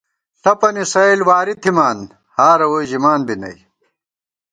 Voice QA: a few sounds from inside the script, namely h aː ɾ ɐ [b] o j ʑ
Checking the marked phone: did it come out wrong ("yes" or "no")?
yes